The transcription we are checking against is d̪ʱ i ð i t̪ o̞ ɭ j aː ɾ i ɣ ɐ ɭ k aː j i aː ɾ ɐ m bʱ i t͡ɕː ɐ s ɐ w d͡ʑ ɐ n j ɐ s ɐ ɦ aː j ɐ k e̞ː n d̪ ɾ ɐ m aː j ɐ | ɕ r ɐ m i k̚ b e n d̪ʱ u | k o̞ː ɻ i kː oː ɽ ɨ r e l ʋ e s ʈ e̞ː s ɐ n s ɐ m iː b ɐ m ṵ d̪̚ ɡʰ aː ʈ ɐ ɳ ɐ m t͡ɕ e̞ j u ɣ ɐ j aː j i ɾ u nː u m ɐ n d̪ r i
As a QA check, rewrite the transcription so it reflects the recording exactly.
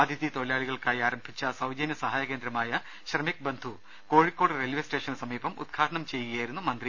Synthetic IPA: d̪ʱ i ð i t̪ o̞ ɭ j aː ɭ i ɣ ɐ ɭ k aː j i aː ɾ ɐ m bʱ i t͡ɕː ɐ s ɐ w d͡ʑ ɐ n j ɐ s ɐ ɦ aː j ɐ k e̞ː n d̪ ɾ ɐ m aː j ɐ | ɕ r ɐ m i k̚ b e n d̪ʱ u | k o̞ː ɻ i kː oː ɽ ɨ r e l ʋ e s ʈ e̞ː ʂ ɐ n s ɐ m iː b ɐ m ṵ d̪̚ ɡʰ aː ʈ ɐ ɳ ɐ m t͡ɕ e̞ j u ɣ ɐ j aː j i ɾ u nː u m ɐ n d̪ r i